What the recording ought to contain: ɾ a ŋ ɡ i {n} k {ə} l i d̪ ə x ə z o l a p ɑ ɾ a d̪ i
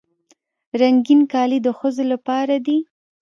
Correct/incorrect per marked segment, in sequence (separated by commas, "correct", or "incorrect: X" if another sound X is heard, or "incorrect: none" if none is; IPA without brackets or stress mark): correct, incorrect: ɑ